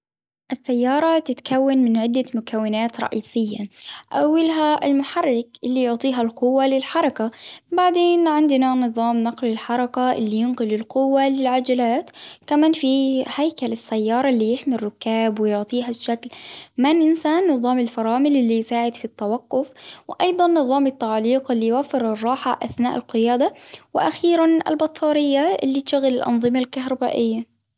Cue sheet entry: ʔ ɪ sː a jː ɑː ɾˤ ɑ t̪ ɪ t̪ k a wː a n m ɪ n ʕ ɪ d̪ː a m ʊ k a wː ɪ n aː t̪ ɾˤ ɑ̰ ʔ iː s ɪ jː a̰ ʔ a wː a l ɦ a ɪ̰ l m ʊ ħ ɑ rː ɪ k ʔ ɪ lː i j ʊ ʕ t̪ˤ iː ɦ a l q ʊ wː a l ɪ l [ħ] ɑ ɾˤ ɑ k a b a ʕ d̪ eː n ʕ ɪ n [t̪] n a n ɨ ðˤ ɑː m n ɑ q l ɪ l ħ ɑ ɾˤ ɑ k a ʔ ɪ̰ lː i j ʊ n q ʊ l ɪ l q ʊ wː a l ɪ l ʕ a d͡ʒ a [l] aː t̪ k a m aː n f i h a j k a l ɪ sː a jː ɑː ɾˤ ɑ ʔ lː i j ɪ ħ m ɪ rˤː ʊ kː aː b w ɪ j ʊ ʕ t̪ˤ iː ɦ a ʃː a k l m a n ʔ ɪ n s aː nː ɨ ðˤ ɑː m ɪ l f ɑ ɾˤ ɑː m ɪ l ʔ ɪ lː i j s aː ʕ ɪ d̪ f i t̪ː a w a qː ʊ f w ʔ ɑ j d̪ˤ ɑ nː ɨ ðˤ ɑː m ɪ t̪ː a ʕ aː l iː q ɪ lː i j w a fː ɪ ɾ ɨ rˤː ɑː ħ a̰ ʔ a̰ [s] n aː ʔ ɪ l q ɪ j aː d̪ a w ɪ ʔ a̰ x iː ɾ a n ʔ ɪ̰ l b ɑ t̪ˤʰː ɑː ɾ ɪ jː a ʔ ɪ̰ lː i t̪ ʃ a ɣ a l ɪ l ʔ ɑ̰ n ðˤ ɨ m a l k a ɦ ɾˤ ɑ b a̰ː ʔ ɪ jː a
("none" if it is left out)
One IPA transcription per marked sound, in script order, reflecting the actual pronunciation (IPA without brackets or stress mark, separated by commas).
ħ, d̪, l, θ